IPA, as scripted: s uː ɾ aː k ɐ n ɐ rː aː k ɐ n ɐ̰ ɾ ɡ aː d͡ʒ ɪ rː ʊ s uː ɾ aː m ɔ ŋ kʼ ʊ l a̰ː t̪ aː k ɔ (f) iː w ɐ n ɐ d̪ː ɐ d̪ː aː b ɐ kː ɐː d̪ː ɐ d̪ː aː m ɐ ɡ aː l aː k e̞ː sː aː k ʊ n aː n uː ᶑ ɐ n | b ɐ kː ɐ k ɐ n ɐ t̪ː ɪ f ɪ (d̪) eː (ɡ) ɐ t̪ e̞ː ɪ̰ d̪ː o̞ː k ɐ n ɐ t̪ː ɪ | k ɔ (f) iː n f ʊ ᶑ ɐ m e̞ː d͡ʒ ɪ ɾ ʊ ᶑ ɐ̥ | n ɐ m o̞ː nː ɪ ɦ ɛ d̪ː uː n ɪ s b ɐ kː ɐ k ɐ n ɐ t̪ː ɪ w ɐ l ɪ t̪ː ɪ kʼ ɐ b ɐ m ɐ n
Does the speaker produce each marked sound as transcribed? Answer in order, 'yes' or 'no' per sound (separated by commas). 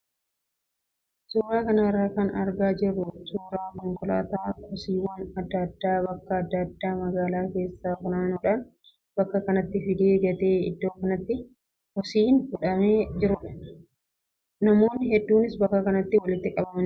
no, yes, yes, no